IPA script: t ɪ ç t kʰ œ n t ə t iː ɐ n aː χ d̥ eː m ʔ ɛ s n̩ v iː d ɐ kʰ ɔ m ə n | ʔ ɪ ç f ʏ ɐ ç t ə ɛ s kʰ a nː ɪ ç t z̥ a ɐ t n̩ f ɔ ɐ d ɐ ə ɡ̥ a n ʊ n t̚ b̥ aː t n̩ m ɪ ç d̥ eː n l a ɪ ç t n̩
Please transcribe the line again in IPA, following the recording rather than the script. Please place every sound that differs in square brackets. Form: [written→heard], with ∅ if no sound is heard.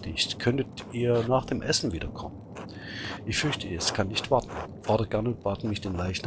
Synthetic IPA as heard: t ɪ ç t kʰ œ n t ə t iː ɐ n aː χ d̥ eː m ʔ ɛ s n̩ v iː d ɐ kʰ ɔ m ə n | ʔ ɪ ç f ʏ ɐ ç t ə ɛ s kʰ a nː ɪ ç t [z̥→v̥] a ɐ t n̩ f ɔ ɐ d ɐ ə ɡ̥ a n ʊ n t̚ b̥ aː t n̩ m ɪ ç d̥ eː n l a ɪ ç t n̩